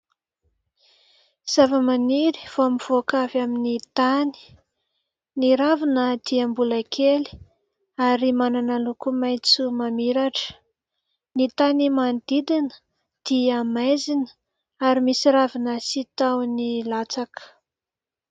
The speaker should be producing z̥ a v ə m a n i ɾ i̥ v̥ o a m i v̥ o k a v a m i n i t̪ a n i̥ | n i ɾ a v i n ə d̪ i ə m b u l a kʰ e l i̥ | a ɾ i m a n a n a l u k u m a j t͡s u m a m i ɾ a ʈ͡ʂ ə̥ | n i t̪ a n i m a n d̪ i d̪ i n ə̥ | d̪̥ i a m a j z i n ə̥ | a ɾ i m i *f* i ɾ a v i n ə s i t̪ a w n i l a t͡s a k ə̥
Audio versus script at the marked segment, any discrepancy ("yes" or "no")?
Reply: yes